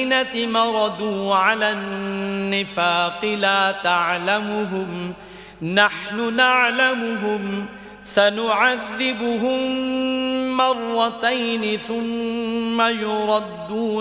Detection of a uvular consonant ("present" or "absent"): present